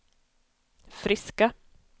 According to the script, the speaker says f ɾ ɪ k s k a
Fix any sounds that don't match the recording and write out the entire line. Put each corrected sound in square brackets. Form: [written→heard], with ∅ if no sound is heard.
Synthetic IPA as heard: f ɾ ɪ [k→∅] s k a